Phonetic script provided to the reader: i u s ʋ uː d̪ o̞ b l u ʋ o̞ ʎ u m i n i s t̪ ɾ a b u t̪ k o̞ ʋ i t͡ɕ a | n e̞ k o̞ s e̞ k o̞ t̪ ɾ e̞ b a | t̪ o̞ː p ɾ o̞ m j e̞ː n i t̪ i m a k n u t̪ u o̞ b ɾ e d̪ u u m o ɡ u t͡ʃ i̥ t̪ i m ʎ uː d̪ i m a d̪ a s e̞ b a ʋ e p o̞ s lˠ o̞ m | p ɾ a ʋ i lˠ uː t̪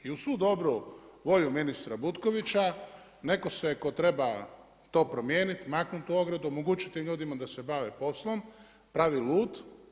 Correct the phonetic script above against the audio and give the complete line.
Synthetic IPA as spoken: i u s ʋ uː d̪ o̞ b ɾ u ʋ o̞ ʎ u m i n i s t̪ ɾ a b u t̪ k o̞ ʋ i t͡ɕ a | n e̞ k o̞ s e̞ k o̞ t̪ ɾ e̞ b a | t̪ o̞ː p ɾ o̞ m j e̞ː n i t̪ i m a k n u t̪ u o̞ ɡ ɾ e d̪ u o m o ɡ u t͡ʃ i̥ t̪ i m ʎ uː d̪ i m a d̪ a s e̞ b a ʋ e p o̞ s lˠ o̞ m | p ɾ a ʋ i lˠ uː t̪